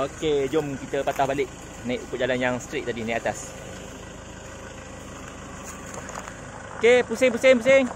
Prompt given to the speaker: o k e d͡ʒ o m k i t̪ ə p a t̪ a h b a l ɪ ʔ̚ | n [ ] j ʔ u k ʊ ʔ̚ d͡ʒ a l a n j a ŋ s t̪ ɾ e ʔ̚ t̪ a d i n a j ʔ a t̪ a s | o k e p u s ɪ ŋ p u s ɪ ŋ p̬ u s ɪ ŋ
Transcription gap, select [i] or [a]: a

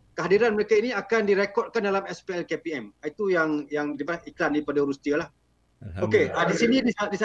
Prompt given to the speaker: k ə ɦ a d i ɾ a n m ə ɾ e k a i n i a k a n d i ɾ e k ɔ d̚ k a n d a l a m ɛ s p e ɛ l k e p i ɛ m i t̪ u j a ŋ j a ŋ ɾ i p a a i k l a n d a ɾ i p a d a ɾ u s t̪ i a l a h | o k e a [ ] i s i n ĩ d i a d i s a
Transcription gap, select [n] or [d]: d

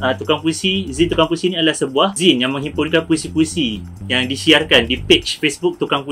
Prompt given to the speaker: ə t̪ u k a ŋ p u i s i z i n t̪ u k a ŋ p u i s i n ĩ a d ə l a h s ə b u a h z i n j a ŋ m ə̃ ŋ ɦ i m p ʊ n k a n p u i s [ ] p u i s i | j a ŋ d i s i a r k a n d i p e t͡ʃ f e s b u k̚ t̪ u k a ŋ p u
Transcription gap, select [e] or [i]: i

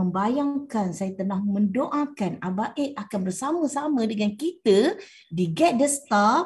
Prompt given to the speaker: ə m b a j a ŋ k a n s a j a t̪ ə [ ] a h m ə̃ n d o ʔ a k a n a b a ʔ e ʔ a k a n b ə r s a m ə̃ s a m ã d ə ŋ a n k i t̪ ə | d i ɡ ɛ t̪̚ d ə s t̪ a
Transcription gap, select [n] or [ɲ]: n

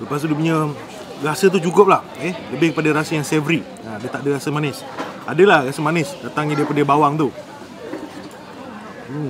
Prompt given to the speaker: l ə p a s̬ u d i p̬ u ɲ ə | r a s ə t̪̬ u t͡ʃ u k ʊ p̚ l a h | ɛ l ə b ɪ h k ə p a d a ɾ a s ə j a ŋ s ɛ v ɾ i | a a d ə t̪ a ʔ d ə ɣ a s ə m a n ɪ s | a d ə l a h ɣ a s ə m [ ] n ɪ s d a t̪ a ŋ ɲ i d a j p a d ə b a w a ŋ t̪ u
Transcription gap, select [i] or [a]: a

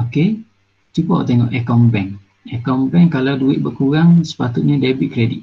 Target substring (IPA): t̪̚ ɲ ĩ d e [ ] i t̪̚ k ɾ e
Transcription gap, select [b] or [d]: b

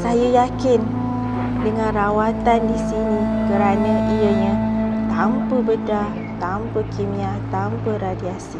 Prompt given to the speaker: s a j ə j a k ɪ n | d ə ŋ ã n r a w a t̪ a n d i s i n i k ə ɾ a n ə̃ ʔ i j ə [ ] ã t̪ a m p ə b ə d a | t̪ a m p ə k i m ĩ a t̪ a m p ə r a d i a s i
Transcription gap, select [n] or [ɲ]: ɲ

